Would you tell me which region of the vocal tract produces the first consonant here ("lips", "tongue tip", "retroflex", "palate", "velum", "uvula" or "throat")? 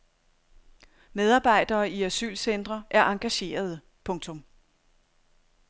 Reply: lips